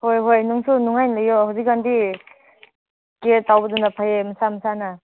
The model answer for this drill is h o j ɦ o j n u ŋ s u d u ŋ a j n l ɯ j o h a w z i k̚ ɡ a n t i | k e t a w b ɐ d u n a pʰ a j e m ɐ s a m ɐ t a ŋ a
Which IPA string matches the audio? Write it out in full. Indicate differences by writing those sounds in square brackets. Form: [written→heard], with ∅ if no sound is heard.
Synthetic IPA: h o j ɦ o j n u ŋ s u [d→n] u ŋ a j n l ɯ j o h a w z i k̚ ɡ a n [t→d] i | k e t a w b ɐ d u n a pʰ a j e m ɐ s a m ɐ [t→s] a [ŋ→n] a